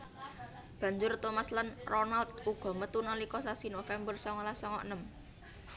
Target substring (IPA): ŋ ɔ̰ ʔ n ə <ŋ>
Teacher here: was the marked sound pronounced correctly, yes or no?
no